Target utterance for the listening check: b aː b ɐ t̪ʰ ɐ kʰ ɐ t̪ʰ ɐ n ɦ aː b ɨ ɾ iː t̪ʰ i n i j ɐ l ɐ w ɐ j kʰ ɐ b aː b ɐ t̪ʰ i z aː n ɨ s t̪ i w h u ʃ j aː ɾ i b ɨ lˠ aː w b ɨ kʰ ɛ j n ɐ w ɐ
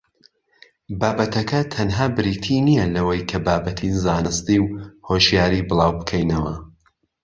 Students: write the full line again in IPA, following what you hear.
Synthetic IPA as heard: b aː b ɐ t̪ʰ ɐ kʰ ɐ t̪ʰ ɐ n ɦ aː b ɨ ɾ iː t̪ʰ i n i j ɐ l ɐ w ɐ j kʰ ɐ b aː b ɐ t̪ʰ i z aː n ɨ s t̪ i w h o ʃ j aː ɾ i b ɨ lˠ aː w b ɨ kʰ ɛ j n ɐ w ɐ